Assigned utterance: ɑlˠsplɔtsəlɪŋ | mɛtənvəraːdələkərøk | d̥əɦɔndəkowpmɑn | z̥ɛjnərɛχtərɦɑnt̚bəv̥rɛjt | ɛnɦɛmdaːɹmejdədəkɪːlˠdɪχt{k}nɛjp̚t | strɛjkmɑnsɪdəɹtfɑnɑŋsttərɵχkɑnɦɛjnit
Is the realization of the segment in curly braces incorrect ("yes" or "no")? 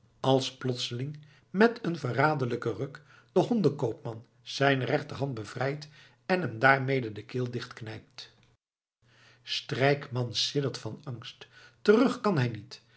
no